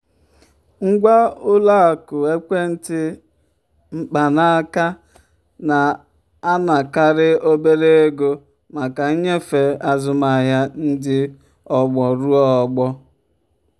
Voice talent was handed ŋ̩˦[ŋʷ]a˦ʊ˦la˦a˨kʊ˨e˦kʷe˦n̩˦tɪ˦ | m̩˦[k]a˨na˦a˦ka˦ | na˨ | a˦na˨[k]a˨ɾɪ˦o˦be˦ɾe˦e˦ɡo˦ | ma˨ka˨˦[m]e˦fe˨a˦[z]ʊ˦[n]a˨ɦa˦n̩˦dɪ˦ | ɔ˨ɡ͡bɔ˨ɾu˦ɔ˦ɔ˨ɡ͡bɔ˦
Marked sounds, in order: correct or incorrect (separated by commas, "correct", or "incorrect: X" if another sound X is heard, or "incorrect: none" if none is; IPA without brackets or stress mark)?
incorrect: ɡʷ, incorrect: k͡p, correct, incorrect: ɲ, correct, incorrect: m